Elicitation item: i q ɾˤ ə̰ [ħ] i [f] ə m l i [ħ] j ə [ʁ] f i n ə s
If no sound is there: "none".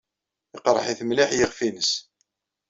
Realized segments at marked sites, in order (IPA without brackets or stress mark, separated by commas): ħ, θ, ħ, ʁ